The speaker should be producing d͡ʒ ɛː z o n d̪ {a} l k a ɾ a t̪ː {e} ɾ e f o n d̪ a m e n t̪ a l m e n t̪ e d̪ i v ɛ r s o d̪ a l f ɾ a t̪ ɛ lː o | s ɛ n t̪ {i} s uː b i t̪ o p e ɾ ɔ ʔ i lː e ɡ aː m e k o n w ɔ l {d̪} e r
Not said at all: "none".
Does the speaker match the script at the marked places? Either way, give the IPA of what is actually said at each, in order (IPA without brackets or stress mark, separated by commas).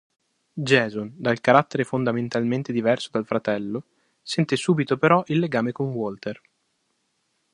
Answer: a, e, e, t̪